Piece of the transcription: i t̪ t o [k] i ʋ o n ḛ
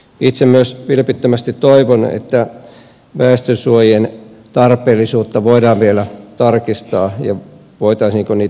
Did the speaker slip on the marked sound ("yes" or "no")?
yes